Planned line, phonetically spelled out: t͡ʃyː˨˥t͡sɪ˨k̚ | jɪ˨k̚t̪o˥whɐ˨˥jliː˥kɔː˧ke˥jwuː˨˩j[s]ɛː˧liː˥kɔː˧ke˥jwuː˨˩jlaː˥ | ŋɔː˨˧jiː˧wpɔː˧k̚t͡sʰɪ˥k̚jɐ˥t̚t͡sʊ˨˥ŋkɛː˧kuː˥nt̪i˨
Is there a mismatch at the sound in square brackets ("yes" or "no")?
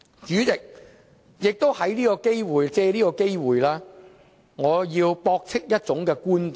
yes